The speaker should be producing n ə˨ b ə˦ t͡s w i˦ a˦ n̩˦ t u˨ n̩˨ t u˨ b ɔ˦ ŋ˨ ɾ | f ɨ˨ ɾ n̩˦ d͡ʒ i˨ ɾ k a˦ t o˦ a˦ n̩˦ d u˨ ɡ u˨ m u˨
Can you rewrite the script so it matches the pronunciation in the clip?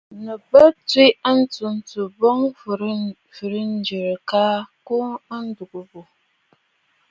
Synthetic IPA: n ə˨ b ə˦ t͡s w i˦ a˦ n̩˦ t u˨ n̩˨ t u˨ b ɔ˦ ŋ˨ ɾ | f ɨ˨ ɾ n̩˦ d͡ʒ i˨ ɾ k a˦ k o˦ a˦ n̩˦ d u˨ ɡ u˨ b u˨

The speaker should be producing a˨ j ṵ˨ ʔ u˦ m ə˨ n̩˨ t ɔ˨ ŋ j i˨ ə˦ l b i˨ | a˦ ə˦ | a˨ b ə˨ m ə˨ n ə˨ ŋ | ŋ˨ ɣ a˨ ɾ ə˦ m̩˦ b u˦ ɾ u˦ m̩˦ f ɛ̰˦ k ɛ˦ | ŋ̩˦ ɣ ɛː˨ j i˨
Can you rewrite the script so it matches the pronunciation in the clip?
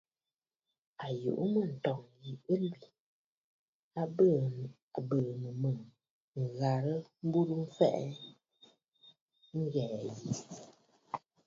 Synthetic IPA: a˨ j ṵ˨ ʔ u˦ m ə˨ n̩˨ t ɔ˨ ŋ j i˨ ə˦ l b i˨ | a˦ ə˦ | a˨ b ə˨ m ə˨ m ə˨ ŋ | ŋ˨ ɣ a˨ ɾ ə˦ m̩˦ b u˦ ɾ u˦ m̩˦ f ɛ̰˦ ʔ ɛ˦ | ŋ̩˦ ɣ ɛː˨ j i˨

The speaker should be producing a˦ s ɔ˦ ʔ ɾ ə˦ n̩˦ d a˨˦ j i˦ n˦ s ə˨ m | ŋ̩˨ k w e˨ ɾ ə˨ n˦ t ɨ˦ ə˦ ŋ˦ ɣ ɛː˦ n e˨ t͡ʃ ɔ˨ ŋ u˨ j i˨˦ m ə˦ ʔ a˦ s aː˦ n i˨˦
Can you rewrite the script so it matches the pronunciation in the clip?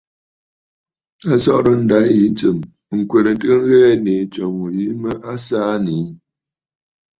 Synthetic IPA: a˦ s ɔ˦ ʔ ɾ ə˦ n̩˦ d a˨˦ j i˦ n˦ t͡s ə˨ m | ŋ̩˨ k w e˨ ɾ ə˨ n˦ t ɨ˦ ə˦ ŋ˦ ɣ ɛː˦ n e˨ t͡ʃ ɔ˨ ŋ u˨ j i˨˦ m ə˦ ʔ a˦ s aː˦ n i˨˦

